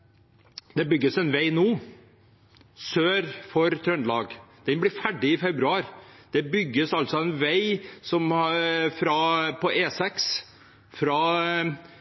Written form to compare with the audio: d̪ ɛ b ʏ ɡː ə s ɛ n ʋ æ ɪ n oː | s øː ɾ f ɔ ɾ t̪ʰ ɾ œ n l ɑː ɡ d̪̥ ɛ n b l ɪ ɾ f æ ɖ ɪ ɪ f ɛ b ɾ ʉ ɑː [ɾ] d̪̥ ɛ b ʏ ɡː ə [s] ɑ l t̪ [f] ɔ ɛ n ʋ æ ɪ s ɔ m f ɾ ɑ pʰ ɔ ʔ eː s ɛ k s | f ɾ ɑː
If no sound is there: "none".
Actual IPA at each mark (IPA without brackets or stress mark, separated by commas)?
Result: ɾ, s, s